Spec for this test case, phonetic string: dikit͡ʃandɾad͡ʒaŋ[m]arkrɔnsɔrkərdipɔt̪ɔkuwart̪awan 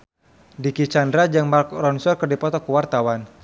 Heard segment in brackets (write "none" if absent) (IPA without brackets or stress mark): m